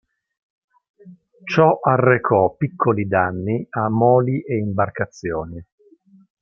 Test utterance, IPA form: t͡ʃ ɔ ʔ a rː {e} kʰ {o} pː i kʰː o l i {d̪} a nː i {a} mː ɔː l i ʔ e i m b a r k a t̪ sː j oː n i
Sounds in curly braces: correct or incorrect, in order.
correct, incorrect: ɔ, correct, correct

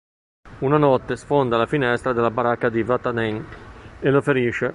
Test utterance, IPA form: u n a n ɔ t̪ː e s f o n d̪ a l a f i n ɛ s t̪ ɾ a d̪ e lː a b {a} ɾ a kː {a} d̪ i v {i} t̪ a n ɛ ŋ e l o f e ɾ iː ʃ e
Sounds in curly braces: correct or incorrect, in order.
correct, correct, incorrect: a

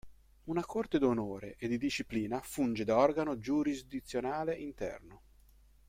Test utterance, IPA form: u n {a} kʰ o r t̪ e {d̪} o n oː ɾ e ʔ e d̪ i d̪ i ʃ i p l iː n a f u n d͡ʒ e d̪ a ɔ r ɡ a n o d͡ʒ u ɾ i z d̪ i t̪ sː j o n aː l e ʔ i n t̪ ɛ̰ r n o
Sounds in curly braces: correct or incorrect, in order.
correct, correct

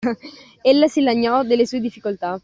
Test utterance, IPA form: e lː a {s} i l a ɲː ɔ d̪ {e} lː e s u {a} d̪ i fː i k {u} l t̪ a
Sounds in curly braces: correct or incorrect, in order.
correct, correct, incorrect: e, incorrect: o

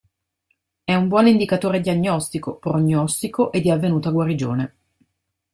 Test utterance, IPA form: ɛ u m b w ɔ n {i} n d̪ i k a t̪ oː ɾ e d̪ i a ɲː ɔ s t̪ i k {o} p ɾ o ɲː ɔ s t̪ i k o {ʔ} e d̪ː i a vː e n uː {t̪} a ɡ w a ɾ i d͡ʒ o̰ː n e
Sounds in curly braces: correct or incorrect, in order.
correct, correct, correct, correct

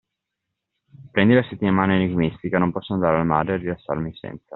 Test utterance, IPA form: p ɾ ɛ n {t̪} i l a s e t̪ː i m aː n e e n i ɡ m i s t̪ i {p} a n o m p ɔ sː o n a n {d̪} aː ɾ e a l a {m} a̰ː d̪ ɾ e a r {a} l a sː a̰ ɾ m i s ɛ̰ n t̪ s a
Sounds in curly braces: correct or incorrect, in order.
incorrect: d̪, incorrect: k, correct, correct, incorrect: i

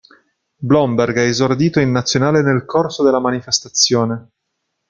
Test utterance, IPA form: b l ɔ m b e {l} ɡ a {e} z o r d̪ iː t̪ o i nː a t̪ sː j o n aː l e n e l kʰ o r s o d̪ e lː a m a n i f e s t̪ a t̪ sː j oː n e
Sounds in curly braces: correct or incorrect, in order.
incorrect: r, correct

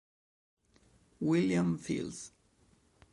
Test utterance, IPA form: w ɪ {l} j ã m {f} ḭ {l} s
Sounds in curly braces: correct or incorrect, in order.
correct, correct, correct

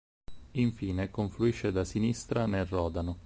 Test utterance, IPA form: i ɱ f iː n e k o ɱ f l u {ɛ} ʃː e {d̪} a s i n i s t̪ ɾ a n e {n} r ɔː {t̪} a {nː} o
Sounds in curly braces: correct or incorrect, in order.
incorrect: i, correct, incorrect: none, incorrect: d̪, incorrect: n

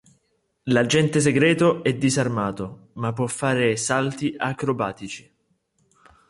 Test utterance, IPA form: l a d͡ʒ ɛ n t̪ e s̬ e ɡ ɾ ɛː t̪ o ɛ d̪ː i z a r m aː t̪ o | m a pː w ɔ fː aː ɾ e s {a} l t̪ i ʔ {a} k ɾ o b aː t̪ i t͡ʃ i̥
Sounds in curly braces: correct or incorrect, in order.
correct, correct

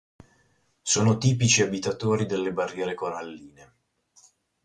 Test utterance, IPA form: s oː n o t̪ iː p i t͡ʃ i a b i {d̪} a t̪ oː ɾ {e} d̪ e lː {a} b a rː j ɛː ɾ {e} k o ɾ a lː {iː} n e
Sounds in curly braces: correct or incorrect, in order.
incorrect: t̪, incorrect: i, incorrect: e, correct, correct

